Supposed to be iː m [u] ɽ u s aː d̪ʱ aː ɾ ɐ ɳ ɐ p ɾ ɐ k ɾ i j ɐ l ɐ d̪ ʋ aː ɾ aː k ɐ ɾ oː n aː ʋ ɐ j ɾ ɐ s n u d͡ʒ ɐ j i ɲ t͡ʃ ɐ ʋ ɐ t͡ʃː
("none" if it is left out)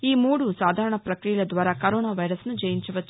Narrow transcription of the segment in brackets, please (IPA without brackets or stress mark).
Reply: uː